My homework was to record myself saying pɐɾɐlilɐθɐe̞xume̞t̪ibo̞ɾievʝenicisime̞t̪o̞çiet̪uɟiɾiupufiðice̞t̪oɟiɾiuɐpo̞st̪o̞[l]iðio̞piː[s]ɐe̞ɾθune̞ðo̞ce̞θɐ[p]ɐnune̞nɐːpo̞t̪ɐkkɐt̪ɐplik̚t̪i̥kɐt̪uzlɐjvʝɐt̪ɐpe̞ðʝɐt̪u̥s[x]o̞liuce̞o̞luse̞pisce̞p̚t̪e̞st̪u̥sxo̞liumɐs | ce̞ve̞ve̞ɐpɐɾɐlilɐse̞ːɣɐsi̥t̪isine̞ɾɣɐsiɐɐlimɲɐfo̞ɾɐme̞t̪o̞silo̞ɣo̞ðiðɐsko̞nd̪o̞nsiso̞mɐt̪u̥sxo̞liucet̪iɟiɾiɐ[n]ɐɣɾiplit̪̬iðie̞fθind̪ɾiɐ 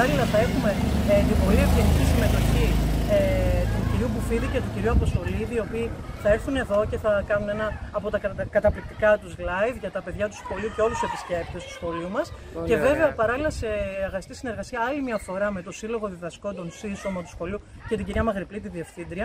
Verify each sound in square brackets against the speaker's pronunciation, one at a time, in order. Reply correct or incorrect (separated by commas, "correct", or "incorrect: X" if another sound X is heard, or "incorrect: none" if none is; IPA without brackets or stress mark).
correct, incorrect: θ, incorrect: k, correct, incorrect: m